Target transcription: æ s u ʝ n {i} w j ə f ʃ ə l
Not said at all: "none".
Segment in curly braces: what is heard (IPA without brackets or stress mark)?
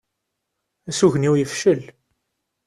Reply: i